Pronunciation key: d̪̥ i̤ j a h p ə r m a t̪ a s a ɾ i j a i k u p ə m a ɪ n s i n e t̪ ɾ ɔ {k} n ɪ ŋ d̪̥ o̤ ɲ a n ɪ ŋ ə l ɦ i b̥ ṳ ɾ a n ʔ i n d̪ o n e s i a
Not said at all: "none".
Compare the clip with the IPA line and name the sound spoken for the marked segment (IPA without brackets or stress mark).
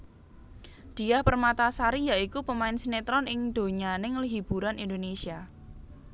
none